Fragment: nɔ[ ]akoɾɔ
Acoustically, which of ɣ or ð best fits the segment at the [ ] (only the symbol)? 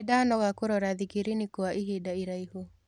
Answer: ɣ